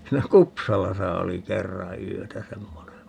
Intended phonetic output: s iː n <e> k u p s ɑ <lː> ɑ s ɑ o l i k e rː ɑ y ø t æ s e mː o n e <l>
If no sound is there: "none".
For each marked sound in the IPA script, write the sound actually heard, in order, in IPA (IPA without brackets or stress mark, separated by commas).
æ, l, none